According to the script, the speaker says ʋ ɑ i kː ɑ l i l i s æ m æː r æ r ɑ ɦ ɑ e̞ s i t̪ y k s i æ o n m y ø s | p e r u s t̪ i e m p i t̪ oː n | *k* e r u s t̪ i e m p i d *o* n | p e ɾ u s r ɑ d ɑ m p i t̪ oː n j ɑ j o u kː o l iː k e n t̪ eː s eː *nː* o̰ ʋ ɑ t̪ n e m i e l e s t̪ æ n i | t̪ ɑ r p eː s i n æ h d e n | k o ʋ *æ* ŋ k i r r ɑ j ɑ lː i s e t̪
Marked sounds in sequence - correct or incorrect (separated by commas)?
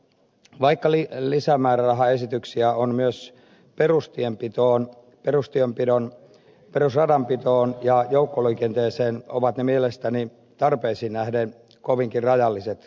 incorrect, correct, incorrect, incorrect